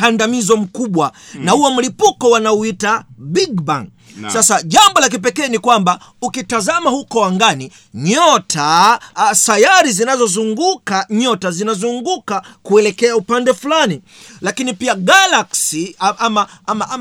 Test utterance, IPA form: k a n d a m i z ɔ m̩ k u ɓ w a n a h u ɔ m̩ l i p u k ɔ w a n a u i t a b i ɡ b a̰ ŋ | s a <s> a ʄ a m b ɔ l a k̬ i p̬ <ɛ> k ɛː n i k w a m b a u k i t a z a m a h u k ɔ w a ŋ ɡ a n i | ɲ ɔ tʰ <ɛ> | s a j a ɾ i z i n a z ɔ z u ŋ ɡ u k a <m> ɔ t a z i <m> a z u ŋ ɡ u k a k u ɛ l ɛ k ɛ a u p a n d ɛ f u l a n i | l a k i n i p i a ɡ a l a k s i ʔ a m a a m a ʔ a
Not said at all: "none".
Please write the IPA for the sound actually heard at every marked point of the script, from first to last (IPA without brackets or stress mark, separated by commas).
s, ɛ, a, ɲ, n